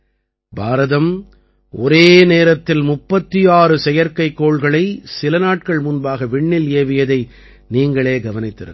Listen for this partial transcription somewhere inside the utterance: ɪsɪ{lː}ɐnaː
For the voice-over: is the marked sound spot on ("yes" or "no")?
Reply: no